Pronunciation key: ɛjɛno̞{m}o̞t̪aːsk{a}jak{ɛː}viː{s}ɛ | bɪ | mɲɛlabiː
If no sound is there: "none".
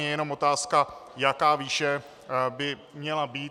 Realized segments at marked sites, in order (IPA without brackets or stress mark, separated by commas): m, a, aː, ʃ